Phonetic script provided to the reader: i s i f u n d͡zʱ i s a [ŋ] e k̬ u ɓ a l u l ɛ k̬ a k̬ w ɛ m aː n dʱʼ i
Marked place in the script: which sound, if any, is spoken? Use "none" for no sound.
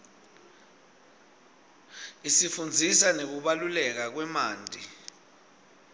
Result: n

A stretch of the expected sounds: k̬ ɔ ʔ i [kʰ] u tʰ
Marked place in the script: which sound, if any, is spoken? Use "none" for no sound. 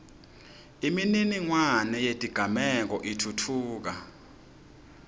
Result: tʰ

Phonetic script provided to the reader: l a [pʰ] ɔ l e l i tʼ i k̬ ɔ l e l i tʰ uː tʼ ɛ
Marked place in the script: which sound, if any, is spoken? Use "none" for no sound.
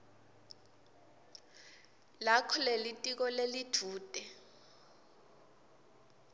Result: kʰ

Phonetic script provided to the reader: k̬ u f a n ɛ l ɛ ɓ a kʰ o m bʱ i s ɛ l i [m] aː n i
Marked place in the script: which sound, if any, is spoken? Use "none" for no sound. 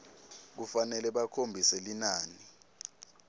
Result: n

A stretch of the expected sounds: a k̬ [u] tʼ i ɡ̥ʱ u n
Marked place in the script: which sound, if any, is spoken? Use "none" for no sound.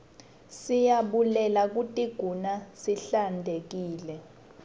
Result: u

